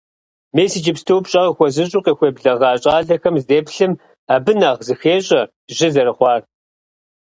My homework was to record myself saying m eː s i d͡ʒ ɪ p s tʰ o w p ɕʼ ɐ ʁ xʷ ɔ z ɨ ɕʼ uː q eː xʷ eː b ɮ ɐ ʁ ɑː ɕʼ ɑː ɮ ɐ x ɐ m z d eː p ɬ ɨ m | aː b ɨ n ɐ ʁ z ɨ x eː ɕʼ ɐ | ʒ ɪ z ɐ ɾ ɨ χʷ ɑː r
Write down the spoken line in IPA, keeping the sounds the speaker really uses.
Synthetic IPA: m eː s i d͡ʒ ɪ p s tʰ o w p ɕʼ ɐ ʁ xʷ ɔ z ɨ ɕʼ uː q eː xʷ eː b ɮ ɐ ʁ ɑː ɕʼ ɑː ɮ ɐ x ɐ m z d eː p ɬ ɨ m | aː b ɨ n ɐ ʁ z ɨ x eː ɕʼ ɐ | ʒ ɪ z ɐ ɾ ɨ χʷ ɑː r